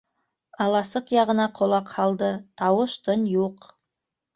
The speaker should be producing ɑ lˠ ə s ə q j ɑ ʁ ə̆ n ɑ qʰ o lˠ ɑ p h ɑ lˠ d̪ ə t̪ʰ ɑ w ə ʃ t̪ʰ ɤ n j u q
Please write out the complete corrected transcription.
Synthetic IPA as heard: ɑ lˠ ɑ s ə q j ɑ ʁ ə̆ n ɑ qʰ o lˠ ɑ q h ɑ lˠ d̪ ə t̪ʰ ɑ w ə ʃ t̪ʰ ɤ n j u q